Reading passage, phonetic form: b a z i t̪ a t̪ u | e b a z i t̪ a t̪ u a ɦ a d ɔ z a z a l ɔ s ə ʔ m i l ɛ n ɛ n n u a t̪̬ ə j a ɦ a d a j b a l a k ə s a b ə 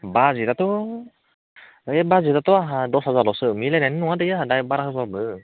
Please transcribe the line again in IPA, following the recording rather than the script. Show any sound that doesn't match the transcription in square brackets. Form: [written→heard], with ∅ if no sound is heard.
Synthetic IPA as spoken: b a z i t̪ a t̪ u | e b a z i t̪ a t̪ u a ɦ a d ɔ [z→s] a z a l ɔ s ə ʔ m i l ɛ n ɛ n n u a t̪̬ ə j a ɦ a d a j b a [l→ɾ] a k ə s a b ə

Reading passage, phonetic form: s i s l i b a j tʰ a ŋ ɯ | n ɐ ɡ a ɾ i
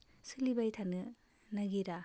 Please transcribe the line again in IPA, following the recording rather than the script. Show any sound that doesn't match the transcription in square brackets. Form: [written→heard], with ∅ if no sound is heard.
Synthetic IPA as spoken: s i [s→∅] l i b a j tʰ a [ŋ→n] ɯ | n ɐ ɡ [a→i] ɾ [i→a]

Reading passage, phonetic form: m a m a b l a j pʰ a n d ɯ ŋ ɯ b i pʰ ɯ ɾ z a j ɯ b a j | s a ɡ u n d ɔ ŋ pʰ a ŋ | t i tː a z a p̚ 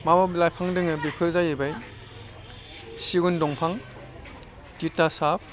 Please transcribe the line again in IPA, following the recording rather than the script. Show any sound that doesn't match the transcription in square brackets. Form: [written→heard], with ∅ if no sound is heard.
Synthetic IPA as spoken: m a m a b l a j pʰ a [n→ŋ] d ɯ ŋ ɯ b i pʰ ɯ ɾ z a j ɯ b a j | s [a→i] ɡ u n d ɔ ŋ pʰ a ŋ | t i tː a [z→s] a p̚

